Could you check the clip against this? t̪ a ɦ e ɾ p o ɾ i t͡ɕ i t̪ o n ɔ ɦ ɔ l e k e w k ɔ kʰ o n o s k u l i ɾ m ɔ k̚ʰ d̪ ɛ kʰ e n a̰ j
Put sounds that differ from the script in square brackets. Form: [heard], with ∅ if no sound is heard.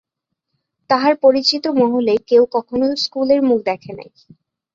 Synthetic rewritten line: t̪ a ɦ [a] ɾ p o ɾ i t͡ɕ i t̪ o [m] ɔ ɦ [o] l e k e w k ɔ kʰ o n o s k u l [e] ɾ m [u] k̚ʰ d̪ ɛ kʰ e n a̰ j